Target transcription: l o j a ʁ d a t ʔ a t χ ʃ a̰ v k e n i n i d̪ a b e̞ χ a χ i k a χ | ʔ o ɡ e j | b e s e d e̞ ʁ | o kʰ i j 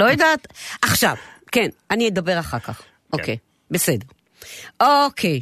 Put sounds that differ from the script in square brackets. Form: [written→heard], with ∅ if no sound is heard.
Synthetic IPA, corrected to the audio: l o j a [ʁ→∅] d a t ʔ a [t→∅] χ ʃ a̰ v k e n [i→a] n i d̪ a b e̞ [χ→ʁ] a χ [i→a] k a χ | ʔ o [ɡ→k] e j | b e s e d e̞ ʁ | o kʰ [i→e] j